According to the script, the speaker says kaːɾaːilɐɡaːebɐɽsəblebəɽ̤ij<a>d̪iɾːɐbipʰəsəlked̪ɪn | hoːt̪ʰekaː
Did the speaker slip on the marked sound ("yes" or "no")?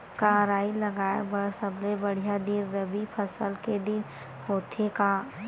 no